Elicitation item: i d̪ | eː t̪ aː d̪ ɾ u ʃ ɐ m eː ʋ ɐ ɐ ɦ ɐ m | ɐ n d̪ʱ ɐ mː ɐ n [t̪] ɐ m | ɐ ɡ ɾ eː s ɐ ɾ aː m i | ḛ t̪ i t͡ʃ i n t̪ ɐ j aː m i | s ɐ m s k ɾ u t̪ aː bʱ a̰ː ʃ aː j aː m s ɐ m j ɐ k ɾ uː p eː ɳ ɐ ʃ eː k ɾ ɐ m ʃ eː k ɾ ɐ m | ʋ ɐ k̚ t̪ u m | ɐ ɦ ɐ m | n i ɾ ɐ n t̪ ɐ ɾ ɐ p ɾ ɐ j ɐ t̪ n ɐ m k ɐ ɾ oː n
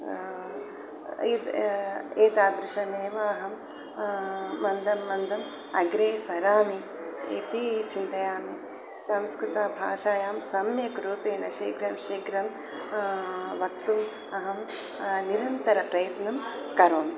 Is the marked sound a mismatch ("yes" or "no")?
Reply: yes